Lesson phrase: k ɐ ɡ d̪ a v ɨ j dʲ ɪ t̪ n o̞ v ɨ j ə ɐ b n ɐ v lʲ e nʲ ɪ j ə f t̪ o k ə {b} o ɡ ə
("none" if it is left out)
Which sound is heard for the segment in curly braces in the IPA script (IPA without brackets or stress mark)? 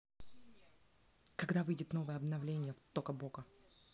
b